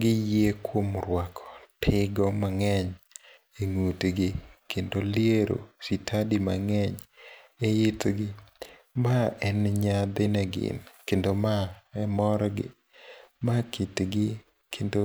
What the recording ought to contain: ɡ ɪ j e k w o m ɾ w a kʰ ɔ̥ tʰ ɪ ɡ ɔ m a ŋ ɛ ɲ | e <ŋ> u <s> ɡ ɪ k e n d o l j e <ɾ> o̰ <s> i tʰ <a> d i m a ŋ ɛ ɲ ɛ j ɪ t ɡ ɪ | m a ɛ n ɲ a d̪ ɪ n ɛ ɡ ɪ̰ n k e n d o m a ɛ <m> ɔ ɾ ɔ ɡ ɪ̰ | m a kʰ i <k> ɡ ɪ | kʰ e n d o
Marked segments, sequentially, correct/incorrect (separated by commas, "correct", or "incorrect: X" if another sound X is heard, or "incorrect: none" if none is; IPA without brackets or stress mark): correct, incorrect: t, correct, correct, correct, correct, incorrect: t